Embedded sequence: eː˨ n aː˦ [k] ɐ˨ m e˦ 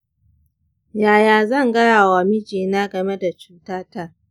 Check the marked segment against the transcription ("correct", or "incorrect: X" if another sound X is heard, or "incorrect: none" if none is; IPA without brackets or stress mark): incorrect: ɡ